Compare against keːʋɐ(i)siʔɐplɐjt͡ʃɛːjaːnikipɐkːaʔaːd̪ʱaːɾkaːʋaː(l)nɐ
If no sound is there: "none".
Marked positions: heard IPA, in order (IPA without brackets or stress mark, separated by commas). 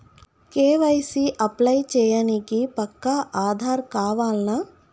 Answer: j, l